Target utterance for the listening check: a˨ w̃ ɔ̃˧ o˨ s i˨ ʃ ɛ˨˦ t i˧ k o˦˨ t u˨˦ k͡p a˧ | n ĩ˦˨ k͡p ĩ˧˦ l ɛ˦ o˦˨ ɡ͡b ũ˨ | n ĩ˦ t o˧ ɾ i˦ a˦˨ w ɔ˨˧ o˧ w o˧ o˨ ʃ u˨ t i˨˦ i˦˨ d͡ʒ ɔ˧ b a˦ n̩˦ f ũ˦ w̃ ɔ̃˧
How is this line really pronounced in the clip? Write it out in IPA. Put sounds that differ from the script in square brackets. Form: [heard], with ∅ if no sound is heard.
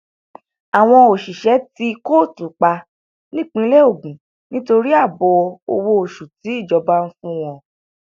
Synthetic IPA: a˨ w̃ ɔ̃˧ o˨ [ʃ] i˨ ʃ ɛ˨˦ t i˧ k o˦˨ t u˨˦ k͡p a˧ | n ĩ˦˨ k͡p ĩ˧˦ l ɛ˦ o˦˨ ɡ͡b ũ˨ | n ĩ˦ t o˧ ɾ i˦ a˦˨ [b] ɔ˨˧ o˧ w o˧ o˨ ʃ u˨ t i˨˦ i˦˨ d͡ʒ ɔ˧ b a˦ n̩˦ f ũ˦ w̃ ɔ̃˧